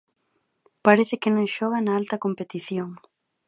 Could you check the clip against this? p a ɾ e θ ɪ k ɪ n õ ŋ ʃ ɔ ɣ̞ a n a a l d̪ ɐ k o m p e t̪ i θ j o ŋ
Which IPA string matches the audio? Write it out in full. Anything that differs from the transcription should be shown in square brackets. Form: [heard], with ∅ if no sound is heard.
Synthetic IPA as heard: p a ɾ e θ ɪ k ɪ n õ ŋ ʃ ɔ ɣ̞ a n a a l [t̪] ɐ k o m p e t̪ i θ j o ŋ